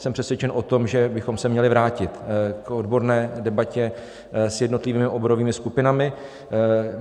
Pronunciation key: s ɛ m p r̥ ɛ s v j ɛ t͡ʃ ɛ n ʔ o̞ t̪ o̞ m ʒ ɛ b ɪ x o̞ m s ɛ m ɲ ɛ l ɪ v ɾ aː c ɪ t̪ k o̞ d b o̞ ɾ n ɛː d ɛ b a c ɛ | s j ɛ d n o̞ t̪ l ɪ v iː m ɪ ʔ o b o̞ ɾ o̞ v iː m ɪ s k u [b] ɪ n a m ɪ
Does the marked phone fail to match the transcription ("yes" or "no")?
yes